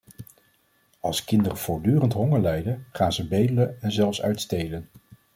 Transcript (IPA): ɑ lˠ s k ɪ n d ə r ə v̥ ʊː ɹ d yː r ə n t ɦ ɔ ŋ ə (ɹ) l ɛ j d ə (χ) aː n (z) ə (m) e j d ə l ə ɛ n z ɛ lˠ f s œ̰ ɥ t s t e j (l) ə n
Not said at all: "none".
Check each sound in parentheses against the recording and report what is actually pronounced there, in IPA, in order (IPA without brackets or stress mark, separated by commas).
ɹ, χ, z, b, l